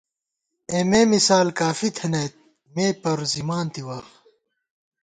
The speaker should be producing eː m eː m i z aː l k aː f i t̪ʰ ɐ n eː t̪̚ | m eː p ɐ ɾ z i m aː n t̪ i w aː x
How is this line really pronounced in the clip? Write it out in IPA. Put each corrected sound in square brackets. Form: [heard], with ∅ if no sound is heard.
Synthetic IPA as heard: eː m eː m i [s] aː l k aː f i t̪ʰ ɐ n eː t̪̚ | m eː p ɐ ɾ z i m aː n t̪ i w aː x